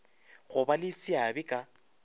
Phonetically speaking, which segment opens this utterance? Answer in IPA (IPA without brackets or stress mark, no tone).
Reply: ɣ